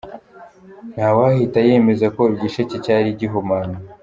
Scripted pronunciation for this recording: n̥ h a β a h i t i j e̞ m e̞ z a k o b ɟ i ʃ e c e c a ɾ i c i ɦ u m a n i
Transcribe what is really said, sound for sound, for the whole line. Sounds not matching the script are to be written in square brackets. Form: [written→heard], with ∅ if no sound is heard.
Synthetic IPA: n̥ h a [β→w] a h i t [i→a] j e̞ m e̞ z a k o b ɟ i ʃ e c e c a ɾ i [c→ɟ] i ɦ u m a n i